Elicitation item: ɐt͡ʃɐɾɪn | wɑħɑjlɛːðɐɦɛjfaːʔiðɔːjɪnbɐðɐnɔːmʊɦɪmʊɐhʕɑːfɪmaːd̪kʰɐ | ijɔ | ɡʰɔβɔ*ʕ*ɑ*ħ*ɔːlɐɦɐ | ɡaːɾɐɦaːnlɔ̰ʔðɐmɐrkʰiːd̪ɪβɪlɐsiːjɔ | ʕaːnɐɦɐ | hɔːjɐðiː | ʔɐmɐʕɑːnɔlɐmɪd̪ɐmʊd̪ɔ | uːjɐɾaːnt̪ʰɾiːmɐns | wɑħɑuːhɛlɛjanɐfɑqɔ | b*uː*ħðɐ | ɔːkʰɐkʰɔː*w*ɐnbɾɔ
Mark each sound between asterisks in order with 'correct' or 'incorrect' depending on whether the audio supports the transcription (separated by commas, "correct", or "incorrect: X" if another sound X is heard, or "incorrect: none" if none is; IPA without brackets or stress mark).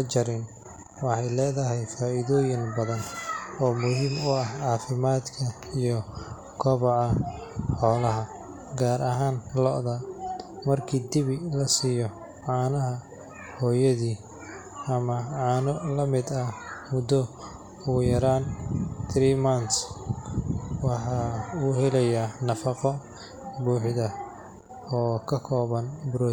correct, correct, correct, incorrect: β